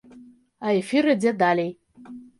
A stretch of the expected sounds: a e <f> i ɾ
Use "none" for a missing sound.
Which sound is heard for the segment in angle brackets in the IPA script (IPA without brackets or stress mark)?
f